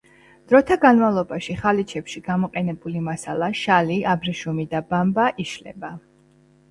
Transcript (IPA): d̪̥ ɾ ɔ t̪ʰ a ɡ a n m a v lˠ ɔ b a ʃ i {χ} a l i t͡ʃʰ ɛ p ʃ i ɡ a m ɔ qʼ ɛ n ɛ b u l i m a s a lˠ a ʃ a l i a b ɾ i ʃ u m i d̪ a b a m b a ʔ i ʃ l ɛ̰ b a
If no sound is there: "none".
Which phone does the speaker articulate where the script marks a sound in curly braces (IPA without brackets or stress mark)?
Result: χ